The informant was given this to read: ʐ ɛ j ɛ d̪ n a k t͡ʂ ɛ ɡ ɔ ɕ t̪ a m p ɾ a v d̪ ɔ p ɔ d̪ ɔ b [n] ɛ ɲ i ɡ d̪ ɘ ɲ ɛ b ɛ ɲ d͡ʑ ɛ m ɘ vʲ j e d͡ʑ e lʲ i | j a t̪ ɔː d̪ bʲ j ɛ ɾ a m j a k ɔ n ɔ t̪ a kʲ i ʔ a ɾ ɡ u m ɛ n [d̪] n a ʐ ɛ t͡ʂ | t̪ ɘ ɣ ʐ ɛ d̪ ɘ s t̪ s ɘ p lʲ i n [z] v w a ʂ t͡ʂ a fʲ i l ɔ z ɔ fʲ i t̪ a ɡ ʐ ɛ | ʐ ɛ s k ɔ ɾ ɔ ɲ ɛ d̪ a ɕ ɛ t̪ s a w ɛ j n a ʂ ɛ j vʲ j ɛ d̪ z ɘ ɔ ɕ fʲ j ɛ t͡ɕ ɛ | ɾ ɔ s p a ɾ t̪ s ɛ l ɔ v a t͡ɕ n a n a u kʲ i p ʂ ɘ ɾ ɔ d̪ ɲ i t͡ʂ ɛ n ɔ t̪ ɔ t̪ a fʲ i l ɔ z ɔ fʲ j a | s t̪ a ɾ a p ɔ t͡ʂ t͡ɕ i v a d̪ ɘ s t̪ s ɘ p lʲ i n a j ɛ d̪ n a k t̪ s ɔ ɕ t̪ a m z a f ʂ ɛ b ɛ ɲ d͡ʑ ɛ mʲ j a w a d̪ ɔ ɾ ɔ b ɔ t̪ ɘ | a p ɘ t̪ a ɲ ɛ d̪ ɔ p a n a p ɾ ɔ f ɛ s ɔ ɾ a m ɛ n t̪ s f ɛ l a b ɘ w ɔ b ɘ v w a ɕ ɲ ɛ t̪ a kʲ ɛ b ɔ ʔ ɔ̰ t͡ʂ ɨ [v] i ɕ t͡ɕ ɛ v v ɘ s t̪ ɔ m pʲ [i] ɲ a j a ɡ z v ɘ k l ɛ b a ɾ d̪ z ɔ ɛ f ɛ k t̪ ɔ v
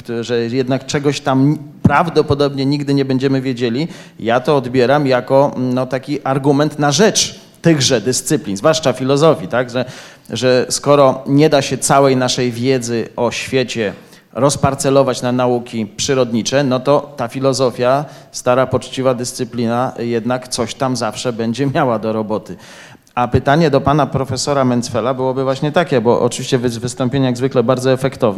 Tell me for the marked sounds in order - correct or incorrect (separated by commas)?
incorrect, incorrect, correct, correct, incorrect